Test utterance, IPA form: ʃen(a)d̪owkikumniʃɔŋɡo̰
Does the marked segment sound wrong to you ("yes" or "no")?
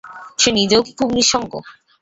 yes